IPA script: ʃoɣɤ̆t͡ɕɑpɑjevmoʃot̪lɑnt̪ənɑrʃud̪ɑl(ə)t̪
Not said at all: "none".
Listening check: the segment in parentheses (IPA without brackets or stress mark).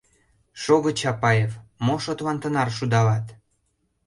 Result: ɑ